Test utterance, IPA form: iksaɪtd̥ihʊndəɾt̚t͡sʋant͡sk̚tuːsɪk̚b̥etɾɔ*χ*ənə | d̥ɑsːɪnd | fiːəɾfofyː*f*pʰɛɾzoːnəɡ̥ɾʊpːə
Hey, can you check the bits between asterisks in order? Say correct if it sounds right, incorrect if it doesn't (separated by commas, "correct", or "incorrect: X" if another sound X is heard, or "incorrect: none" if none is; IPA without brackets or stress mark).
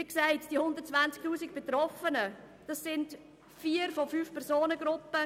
incorrect: f, correct